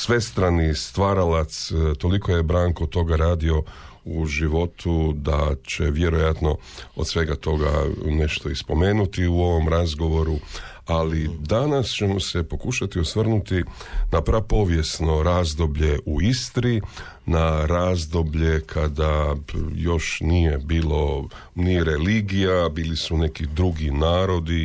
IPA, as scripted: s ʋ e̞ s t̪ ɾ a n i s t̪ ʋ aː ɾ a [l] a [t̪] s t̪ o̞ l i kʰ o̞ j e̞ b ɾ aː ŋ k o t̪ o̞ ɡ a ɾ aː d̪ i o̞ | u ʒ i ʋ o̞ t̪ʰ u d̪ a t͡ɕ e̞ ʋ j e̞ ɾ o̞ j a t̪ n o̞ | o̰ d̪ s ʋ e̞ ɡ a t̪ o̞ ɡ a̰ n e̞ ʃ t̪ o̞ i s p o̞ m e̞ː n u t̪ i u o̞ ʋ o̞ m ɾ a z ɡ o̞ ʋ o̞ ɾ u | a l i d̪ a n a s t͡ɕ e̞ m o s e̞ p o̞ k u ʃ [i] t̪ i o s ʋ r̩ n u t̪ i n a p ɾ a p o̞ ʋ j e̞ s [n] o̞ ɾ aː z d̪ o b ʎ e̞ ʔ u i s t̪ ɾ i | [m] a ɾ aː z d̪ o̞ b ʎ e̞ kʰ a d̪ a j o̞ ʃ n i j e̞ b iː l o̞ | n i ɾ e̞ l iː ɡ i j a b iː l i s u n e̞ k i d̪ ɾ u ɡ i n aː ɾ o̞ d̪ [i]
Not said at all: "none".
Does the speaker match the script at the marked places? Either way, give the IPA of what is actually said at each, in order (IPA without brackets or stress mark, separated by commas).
l, t̪, a, n, n, i